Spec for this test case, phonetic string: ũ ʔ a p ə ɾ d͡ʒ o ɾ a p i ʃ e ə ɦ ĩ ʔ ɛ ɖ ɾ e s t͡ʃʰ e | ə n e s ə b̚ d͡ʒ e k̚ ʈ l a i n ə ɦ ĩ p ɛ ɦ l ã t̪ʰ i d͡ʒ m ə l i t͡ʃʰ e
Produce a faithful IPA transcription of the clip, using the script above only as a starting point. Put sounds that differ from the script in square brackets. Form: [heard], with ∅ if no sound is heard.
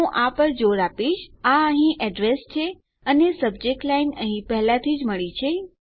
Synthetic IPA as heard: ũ ʔ a p ə ɾ d͡ʒ o ɾ a p i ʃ [a] ə ɦ ĩ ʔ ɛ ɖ ɾ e s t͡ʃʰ e | ə n e s ə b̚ d͡ʒ e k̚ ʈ l a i n ə ɦ ĩ p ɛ ɦ l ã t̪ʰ i d͡ʒ m ə [ɭ] i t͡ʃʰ e